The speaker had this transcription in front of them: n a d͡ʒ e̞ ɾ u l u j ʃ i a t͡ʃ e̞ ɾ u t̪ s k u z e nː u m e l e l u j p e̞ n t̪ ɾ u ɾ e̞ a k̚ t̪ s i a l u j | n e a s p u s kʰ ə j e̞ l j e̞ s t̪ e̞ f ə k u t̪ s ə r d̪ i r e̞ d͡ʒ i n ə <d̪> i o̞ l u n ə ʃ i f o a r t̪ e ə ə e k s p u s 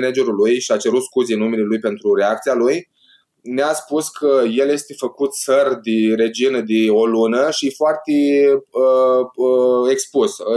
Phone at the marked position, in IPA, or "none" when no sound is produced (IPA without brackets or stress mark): d̪